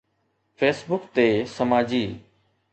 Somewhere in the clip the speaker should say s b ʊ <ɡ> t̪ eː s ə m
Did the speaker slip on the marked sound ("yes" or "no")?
yes